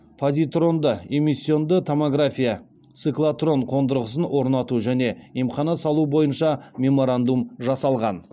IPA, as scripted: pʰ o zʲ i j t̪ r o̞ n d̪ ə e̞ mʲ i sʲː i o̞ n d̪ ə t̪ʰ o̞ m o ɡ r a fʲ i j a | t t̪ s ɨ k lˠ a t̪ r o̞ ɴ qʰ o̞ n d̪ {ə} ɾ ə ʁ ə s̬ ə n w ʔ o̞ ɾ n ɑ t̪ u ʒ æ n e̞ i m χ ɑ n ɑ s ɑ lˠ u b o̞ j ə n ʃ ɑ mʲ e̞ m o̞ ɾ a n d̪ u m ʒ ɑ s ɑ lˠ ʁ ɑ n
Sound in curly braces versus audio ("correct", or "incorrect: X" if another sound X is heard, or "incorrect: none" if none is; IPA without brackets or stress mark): correct